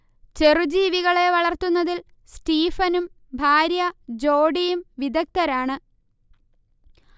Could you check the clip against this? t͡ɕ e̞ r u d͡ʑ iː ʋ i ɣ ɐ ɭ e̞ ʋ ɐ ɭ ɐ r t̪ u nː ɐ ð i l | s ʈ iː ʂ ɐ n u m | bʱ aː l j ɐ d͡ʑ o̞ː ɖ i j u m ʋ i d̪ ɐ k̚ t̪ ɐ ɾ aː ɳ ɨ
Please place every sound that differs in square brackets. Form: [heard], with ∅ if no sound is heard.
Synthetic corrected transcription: t͡ɕ e̞ r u d͡ʑ iː ʋ i ɣ ɐ ɭ e̞ ʋ ɐ ɭ ɐ r t̪ u nː ɐ ð i l | s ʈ iː [f] ɐ n u m | bʱ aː [ɾ] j ɐ d͡ʑ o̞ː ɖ i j u m ʋ i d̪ ɐ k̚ t̪ ɐ ɾ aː ɳ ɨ

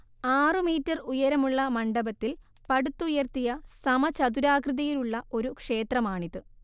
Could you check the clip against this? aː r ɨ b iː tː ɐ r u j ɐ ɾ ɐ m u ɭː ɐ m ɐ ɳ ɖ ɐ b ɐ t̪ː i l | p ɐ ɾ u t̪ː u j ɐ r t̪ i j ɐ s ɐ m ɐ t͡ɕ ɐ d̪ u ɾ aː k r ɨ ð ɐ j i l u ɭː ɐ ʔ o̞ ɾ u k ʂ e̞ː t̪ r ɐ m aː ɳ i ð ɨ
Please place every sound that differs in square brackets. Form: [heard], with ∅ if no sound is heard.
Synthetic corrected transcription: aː r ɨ [m] iː tː ɐ r u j ɐ ɾ ɐ m u ɭː ɐ m ɐ ɳ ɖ ɐ b ɐ t̪ː i l | p ɐ [ɽ] u t̪ː u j ɐ r t̪ i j ɐ s ɐ m ɐ t͡ɕ ɐ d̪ u ɾ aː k r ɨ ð ɐ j i l u ɭː ɐ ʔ o̞ ɾ u k ʂ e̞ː t̪ r ɐ m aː ɳ i ð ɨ

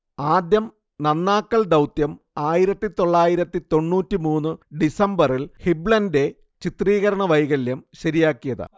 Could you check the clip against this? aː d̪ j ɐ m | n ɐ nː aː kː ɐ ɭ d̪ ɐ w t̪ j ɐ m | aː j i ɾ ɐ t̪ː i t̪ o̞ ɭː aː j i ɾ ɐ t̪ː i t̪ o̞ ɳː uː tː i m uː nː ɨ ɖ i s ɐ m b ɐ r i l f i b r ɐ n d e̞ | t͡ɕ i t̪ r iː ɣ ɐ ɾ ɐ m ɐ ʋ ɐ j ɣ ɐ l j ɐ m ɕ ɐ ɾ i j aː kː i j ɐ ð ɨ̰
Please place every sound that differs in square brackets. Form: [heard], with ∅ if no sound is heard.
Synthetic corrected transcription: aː d̪ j ɐ m | n ɐ nː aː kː ɐ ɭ d̪ ɐ w t̪ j ɐ m | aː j i ɾ ɐ t̪ː i t̪ o̞ ɭː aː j i ɾ ɐ t̪ː i t̪ o̞ ɳː uː tː i m uː nː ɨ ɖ i s ɐ m b ɐ r i l [h] i b [ɭ] ɐ n d e̞ | t͡ɕ i t̪ r iː ɣ ɐ ɾ ɐ [ɳ] ɐ ʋ ɐ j ɣ ɐ l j ɐ m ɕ ɐ ɾ i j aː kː i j ɐ ð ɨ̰

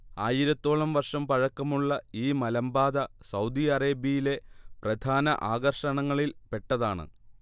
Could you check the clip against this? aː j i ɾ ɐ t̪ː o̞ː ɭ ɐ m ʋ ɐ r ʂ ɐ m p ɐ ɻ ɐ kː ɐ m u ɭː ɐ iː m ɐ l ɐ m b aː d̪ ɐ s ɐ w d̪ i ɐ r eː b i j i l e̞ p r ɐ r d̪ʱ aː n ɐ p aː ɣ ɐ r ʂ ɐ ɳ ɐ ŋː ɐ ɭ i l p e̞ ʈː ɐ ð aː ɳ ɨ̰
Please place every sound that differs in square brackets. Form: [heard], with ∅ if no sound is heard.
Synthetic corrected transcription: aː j i ɾ ɐ t̪ː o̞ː ɭ ɐ m ʋ ɐ r ʂ ɐ m p ɐ ɻ ɐ kː ɐ m u ɭː ɐ iː m ɐ l ɐ m b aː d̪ ɐ s ɐ w d̪ i ɐ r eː b i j i l e̞ p r ɐ [∅] d̪ʱ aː n ɐ [ʔ] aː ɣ ɐ r ʂ ɐ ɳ ɐ ŋː ɐ ɭ i l p e̞ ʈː ɐ ð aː ɳ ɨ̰

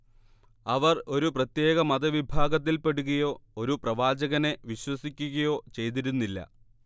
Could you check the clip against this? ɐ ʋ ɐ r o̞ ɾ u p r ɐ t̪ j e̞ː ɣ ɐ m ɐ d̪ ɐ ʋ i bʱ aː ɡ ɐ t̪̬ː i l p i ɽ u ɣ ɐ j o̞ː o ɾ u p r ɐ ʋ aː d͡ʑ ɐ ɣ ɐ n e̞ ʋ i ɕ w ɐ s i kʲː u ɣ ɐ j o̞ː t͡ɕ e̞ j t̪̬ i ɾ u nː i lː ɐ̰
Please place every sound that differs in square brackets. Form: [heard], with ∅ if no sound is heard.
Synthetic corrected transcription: ɐ ʋ ɐ r o̞ ɾ u p r ɐ t̪ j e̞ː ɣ ɐ m ɐ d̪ ɐ ʋ i bʱ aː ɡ ɐ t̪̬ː i l p [e] ɽ u ɣ ɐ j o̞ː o ɾ u p r ɐ ʋ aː d͡ʑ ɐ ɣ ɐ n e̞ ʋ i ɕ w ɐ s i kʲː u ɣ ɐ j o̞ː t͡ɕ e̞ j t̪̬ i ɾ u nː i lː ɐ̰

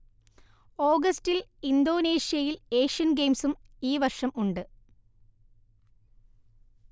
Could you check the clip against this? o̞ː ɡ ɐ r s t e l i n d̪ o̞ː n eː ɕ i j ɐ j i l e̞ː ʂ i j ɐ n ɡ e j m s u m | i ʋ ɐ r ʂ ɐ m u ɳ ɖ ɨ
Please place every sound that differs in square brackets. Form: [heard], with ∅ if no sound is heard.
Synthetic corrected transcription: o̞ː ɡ ɐ [∅] s t [i] l i n d̪ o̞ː n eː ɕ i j ɐ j i l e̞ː ʂ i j ɐ n ɡ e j m s u m | [iː] ʋ ɐ r ʂ ɐ m u ɳ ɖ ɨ

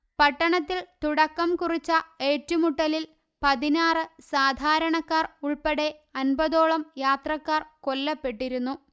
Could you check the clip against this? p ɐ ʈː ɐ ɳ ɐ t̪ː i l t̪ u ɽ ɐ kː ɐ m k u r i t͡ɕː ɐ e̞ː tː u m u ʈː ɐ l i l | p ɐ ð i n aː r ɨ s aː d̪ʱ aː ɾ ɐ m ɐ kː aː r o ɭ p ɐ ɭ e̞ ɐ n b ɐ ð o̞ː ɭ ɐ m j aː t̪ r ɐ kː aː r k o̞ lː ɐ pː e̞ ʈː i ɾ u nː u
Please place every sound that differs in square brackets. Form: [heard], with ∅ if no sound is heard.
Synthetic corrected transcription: p ɐ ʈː ɐ ɳ ɐ t̪ː i l t̪ u ɽ ɐ kː ɐ m k u r i t͡ɕː ɐ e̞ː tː u m u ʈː ɐ l i l | p ɐ ð i n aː r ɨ s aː d̪ʱ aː ɾ ɐ [ɳ] ɐ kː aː r [u] ɭ p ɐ [ɽ] e̞ ɐ n b ɐ ð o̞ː ɭ ɐ m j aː t̪ r ɐ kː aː r k o̞ lː ɐ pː e̞ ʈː i ɾ u nː u

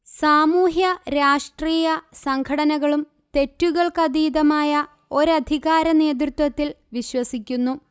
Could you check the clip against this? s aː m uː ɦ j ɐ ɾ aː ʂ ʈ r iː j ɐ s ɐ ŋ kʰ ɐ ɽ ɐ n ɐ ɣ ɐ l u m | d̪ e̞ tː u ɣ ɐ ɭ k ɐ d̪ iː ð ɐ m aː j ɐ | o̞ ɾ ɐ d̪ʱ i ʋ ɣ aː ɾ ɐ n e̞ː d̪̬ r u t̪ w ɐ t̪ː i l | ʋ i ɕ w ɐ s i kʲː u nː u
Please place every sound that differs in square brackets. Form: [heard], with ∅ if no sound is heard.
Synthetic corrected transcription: s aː m uː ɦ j ɐ ɾ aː ʂ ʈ r iː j ɐ s ɐ ŋ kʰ ɐ ɽ ɐ n ɐ ɣ ɐ [ɭ] u m | [t̪] e̞ tː u ɣ ɐ ɭ k ɐ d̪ iː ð ɐ m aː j ɐ | o̞ ɾ ɐ d̪ʱ i [∅] ɣ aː ɾ ɐ n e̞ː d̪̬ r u t̪ w ɐ t̪ː i l | ʋ i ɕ w ɐ s i kʲː u nː u

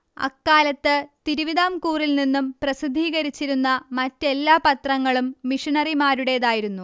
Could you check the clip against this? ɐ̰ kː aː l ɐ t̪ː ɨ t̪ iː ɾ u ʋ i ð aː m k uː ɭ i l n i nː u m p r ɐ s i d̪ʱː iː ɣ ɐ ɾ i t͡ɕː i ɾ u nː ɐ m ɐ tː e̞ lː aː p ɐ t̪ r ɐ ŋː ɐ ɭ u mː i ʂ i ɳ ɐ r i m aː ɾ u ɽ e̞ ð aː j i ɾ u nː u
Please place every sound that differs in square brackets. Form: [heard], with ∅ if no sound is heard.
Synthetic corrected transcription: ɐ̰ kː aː l ɐ t̪ː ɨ t̪ [i] ɾ u ʋ i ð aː m k uː [r] i l n i nː u m p r ɐ s i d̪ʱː iː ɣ ɐ ɾ i t͡ɕː i ɾ u nː ɐ m ɐ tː e̞ lː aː p ɐ t̪ r ɐ ŋː ɐ ɭ u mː i ʂ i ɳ ɐ r i m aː ɾ u ɽ e̞ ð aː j i ɾ u nː u

